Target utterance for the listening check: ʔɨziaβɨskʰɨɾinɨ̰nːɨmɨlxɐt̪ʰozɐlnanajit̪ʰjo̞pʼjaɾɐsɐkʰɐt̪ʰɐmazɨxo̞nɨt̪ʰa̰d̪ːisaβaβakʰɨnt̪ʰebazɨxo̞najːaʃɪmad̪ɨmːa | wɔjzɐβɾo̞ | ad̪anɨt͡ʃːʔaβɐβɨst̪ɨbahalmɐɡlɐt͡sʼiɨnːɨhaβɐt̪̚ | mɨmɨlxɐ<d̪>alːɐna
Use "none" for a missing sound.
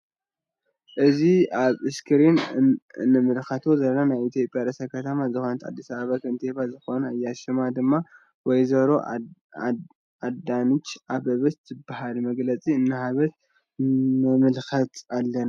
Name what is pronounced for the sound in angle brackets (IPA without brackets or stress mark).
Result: t̪